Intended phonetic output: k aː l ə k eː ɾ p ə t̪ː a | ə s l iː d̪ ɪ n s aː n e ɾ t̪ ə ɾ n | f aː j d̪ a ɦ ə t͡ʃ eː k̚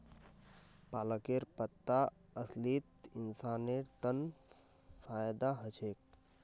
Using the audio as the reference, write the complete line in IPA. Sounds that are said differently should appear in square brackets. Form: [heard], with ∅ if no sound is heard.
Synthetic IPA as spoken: [p] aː l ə k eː ɾ p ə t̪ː a | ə s l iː [t̪] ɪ n s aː n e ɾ t̪ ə [∅] n | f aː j d̪ a ɦ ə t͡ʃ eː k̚